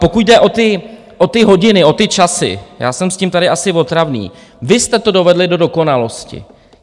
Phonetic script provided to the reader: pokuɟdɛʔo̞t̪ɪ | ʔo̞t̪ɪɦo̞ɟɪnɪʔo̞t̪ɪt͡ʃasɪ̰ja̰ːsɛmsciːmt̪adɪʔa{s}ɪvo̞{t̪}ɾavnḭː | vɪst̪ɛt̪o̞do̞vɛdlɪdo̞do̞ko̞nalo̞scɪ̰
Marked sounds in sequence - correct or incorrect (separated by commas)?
correct, correct